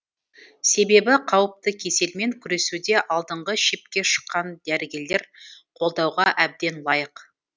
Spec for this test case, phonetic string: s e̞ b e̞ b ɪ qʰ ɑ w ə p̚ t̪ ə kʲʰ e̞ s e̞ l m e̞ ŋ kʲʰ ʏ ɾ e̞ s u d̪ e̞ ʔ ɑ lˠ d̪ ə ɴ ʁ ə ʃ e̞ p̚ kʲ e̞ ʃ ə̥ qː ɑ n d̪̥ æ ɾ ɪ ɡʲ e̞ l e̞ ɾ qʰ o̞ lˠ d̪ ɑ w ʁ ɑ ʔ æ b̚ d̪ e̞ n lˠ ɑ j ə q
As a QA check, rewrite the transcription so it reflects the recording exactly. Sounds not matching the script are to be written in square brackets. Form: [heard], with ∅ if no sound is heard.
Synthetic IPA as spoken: s e̞ b e̞ b ɪ qʰ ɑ w ə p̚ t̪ ə kʲʰ e̞ s e̞ l m e̞ ŋ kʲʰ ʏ ɾ e̞ s u d̪ e̞ ʔ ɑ lˠ d̪ ə ɴ ʁ ə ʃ e̞ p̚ kʲ e̞ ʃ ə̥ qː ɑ n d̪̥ æ ɾ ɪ ɡʲ e̞ l e̞ ɾ qʰ o̞ lˠ d̪ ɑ w ʁ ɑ ʔ æ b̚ d̪ e̞ n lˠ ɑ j ə q

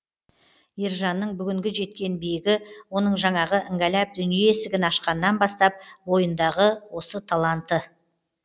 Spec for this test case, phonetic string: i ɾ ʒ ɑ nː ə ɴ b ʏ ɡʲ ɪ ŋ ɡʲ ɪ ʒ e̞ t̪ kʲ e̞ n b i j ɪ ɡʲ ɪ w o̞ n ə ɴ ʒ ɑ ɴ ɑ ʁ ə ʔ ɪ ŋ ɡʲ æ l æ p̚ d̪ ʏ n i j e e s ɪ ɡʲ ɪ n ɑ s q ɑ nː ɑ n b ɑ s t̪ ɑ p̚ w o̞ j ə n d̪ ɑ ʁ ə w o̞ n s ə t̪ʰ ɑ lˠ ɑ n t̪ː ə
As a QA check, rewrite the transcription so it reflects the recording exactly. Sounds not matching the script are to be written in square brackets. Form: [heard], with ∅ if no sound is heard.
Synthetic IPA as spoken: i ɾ ʒ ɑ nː ə ɴ b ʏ ɡʲ ɪ ŋ ɡʲ ɪ ʒ e̞ t̪ kʲ e̞ n b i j ɪ ɡʲ ɪ w o̞ n ə ɴ ʒ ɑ ɴ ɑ ʁ ə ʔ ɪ ŋ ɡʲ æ l æ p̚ d̪ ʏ n i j e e s ɪ ɡʲ ɪ n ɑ [ʃ] q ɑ nː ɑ n b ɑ s t̪ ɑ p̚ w o̞ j ə n d̪ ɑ ʁ ə w o̞ [∅] s ə t̪ʰ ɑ lˠ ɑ n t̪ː ə

